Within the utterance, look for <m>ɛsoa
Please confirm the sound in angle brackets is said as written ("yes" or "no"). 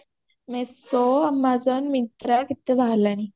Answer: yes